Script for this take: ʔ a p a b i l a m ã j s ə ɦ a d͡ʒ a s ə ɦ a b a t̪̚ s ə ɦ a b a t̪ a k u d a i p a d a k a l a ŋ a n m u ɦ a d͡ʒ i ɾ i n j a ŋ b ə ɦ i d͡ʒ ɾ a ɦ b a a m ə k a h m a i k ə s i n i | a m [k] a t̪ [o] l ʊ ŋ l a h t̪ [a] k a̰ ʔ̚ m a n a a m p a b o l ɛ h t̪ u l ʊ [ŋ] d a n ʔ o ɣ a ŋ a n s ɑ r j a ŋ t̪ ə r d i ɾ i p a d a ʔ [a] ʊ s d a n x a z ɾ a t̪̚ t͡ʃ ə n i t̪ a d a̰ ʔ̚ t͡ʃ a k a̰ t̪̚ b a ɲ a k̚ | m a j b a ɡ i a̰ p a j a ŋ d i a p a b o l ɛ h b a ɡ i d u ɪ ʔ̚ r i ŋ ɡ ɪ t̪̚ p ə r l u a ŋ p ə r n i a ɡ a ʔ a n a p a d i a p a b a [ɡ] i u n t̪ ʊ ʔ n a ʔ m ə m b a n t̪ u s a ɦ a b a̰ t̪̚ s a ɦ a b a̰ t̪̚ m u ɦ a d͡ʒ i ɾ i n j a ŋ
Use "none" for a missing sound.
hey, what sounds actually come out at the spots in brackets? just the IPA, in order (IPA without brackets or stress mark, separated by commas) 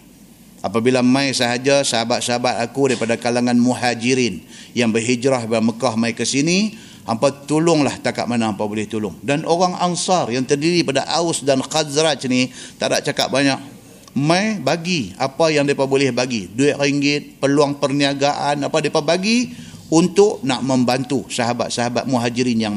p, u, a, ŋ, a, ɡ